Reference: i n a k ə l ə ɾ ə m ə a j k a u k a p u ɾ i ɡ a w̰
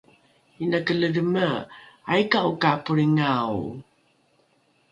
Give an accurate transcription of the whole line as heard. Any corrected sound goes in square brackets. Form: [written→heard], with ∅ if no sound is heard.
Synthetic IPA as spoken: i n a k ə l ə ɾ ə m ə a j k a u k a p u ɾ i [ɡ→ŋ] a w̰